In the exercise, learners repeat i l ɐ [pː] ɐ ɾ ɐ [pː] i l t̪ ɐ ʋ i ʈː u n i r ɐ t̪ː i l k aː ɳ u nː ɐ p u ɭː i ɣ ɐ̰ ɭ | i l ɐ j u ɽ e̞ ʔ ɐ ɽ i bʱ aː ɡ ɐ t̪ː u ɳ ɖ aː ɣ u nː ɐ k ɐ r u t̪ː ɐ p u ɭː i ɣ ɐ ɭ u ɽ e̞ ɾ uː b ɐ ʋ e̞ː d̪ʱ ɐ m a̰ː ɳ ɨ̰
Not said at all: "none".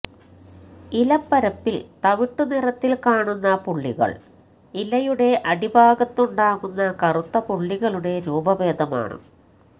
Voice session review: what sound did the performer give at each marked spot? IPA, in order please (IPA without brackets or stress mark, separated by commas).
pː, pː